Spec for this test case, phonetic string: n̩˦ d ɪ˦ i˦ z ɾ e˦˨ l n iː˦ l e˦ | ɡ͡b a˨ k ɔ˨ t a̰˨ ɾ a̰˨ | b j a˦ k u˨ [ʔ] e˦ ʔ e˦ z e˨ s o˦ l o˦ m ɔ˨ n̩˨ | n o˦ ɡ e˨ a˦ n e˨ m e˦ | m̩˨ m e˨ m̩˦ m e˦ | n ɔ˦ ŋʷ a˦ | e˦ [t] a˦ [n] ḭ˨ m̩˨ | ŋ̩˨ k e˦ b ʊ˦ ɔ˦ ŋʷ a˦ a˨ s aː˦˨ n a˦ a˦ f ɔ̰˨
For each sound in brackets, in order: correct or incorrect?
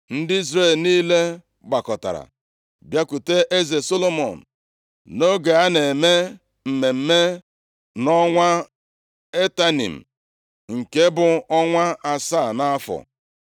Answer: incorrect: t, correct, correct

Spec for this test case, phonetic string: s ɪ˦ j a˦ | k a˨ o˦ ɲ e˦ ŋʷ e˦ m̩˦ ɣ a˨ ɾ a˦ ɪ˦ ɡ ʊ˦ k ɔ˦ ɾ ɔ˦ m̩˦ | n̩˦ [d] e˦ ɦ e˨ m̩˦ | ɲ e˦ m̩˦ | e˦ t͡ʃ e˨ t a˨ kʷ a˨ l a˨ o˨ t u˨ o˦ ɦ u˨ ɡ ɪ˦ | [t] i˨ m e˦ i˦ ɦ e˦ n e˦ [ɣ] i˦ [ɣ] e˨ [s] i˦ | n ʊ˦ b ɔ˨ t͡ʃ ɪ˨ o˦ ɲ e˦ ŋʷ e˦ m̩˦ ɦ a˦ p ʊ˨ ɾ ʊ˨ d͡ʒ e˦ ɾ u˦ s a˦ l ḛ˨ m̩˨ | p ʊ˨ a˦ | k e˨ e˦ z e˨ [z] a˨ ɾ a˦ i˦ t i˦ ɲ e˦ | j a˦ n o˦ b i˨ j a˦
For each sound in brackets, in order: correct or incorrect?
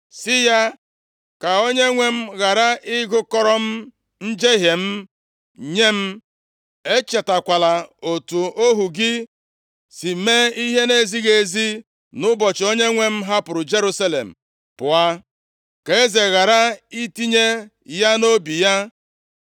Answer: incorrect: d͡ʒ, incorrect: s, incorrect: z, correct, incorrect: z, incorrect: ɣ

